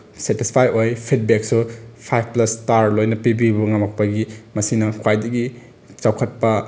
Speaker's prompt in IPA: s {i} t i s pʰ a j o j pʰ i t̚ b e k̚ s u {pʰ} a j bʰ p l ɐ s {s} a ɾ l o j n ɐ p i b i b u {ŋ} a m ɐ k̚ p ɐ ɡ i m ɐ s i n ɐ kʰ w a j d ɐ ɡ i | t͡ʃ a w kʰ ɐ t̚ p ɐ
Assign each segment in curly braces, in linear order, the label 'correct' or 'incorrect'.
incorrect, correct, incorrect, correct

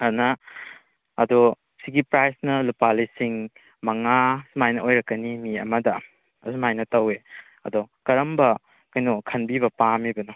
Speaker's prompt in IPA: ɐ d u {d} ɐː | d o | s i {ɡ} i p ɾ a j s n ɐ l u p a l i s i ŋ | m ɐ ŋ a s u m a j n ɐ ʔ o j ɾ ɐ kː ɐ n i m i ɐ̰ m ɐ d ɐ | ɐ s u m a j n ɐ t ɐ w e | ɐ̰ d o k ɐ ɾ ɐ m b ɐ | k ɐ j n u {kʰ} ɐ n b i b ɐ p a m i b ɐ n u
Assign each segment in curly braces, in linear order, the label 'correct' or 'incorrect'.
incorrect, correct, correct

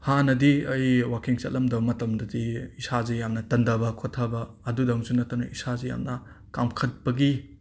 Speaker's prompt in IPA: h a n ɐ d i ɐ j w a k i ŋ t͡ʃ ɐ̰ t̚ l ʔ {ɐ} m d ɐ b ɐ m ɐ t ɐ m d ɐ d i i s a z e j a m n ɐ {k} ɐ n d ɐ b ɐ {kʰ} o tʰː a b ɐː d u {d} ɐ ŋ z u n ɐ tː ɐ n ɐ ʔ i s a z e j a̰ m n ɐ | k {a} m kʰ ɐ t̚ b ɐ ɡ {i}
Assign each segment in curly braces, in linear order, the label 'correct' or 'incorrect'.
correct, incorrect, correct, correct, correct, correct

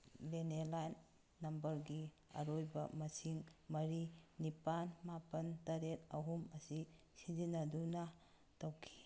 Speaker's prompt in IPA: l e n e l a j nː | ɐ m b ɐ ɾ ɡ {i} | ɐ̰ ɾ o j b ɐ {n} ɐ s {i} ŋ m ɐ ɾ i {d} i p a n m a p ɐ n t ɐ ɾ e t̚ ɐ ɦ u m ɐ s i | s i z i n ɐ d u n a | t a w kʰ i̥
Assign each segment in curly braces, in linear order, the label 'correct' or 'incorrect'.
correct, incorrect, correct, incorrect

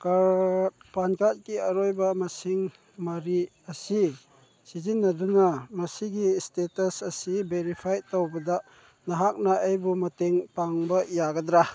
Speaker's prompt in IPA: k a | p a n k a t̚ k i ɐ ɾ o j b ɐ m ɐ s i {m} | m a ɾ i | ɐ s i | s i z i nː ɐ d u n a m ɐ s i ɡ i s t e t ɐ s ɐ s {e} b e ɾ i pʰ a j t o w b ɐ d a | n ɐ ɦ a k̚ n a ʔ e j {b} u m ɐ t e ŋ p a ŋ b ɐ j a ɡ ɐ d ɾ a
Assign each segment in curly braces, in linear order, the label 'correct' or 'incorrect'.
incorrect, incorrect, correct

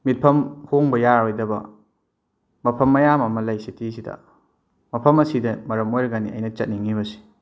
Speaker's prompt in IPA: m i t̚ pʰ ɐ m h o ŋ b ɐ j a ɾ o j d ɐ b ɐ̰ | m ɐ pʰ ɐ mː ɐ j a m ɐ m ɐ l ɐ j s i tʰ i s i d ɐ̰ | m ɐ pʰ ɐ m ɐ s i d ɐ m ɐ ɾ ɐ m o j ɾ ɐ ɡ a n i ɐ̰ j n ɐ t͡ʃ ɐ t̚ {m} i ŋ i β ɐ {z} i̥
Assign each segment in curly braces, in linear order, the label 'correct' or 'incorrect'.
incorrect, incorrect

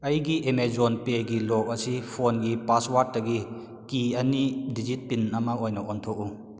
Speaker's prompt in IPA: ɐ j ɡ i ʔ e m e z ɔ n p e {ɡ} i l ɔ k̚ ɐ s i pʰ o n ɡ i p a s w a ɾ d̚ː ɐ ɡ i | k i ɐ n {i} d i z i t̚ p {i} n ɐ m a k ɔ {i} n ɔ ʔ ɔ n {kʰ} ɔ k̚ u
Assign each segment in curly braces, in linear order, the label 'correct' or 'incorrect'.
correct, correct, correct, incorrect, incorrect

